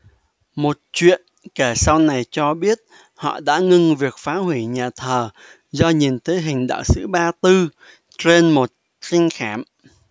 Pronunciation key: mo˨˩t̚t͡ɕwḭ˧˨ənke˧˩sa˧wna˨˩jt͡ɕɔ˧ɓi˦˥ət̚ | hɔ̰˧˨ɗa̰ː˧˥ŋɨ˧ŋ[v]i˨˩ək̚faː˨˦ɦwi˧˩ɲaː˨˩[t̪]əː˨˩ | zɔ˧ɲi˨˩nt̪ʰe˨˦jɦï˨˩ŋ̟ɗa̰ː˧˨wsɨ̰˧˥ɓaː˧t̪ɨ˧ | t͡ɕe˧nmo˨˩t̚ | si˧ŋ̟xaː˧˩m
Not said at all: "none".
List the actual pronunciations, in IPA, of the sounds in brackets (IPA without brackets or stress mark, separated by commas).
v, t̪ʰ